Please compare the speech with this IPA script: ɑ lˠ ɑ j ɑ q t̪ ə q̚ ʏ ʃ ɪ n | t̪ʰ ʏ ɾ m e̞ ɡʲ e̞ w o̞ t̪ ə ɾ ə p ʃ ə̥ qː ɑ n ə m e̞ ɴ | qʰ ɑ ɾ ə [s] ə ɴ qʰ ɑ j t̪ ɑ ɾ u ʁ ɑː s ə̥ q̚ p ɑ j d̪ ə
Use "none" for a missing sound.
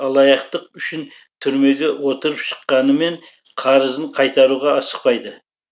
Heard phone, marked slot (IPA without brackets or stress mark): z